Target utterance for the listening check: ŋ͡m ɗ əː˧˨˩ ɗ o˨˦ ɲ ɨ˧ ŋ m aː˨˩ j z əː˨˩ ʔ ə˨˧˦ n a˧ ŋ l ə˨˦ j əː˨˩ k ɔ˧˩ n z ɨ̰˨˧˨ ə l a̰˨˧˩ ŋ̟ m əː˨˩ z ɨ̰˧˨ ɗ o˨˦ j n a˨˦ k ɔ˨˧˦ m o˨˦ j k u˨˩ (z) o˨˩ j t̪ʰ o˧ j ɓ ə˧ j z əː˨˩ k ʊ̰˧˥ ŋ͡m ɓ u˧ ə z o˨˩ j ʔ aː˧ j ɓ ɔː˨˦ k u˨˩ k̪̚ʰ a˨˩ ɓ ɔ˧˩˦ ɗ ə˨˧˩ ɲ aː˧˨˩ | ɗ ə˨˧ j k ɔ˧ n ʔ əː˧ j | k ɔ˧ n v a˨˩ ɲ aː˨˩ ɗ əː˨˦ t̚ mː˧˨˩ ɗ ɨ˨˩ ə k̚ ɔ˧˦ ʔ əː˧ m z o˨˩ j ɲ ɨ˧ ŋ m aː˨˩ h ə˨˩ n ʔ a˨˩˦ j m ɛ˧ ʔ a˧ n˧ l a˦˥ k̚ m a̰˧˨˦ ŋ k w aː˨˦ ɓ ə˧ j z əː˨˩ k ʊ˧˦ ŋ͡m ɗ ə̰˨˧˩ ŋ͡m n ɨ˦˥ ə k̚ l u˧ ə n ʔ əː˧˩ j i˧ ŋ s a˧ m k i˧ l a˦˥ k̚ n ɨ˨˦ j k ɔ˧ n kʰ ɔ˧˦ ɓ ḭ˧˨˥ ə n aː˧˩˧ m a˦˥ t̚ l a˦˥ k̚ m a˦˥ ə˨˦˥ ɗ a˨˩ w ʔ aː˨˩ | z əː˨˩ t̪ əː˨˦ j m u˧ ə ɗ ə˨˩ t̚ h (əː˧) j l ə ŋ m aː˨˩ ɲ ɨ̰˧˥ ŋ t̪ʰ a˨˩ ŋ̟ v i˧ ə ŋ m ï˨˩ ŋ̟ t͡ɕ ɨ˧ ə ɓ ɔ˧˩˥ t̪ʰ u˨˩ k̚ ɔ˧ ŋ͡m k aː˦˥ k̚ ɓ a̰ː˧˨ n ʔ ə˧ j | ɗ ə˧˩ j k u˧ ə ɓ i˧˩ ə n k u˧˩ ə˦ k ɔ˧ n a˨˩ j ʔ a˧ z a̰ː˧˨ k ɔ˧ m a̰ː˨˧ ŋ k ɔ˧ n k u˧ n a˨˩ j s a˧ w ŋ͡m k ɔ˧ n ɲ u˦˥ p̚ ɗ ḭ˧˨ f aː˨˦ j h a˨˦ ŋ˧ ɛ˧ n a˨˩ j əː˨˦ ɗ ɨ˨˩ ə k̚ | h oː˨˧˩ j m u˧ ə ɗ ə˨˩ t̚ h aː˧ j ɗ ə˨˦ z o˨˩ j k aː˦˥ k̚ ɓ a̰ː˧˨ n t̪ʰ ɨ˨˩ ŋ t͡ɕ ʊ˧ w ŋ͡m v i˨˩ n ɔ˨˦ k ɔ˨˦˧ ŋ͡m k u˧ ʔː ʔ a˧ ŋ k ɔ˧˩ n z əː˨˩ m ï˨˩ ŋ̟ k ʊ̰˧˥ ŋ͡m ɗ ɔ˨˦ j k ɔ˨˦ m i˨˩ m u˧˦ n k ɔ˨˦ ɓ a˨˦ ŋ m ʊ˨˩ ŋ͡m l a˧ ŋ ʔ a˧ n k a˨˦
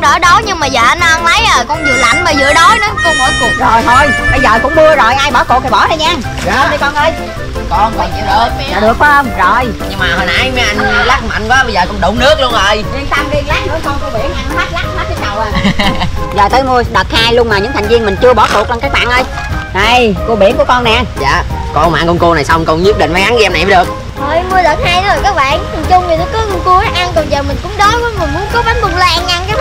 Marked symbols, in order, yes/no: yes, no

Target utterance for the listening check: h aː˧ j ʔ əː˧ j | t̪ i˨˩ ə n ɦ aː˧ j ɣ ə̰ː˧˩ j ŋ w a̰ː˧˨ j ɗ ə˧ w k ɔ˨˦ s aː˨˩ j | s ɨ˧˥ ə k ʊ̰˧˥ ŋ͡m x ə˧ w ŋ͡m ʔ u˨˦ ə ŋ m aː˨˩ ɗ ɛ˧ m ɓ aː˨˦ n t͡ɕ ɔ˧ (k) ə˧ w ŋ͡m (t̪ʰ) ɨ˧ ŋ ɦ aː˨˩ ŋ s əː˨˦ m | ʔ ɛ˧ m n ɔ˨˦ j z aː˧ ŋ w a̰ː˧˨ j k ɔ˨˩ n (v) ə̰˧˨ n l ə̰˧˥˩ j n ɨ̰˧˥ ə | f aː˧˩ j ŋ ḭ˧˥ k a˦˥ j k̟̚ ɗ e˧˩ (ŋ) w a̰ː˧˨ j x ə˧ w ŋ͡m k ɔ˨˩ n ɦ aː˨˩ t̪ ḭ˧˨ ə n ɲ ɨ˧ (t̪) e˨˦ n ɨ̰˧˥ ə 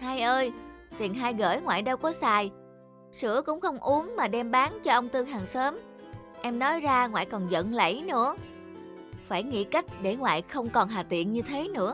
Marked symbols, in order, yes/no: no, no, no, yes, no

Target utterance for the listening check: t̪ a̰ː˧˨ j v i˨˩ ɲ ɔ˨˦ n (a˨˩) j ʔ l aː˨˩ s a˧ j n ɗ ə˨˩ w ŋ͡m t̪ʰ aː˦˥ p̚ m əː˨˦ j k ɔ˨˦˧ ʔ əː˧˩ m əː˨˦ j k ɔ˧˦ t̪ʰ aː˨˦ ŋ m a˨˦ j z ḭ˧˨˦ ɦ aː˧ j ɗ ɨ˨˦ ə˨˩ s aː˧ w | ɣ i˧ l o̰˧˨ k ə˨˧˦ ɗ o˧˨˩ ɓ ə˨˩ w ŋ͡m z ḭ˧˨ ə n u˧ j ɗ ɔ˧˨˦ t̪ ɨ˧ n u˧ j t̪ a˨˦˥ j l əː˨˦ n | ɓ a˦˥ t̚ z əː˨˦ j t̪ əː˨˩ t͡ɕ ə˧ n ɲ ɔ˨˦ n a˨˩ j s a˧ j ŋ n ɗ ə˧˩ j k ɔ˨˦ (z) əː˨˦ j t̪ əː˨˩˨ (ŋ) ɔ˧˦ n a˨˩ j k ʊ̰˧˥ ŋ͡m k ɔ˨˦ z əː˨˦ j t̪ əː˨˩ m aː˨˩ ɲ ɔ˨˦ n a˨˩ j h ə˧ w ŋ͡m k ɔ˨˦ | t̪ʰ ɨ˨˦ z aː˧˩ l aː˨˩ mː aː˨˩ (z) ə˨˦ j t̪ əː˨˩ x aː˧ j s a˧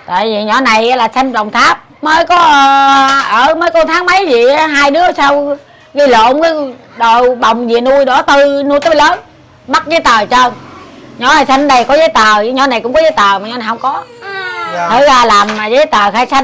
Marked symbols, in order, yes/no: yes, yes, no, yes

